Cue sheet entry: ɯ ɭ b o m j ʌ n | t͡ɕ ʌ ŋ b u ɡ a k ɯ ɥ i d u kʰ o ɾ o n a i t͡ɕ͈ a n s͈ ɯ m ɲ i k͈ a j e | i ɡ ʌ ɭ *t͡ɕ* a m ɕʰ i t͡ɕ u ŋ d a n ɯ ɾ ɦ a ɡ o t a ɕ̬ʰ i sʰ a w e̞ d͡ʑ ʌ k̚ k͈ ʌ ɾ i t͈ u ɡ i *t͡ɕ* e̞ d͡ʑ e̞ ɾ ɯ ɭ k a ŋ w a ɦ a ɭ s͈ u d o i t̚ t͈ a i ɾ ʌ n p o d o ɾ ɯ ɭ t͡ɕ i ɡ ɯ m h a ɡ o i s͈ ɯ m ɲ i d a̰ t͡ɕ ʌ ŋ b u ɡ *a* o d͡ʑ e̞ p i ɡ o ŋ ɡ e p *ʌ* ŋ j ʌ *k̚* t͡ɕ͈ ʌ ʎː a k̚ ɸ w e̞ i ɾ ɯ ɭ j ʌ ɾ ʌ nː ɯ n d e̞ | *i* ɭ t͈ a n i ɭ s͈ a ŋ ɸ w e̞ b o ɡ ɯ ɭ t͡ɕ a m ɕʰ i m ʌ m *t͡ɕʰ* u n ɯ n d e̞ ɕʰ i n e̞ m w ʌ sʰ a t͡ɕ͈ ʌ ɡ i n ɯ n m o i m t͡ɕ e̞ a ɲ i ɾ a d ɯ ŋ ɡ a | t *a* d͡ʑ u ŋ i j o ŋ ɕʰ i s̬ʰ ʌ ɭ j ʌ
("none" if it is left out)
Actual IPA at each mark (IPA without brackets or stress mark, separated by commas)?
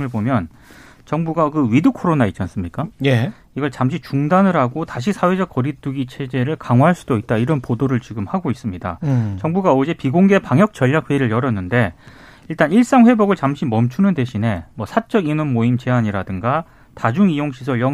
t͡ɕ, t͡ɕʰ, a, a, k̚, i, t͡ɕʰ, a